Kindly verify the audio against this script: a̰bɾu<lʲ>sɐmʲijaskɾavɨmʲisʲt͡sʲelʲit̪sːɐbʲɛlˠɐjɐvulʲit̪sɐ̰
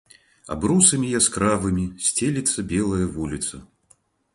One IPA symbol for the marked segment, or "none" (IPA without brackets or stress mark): none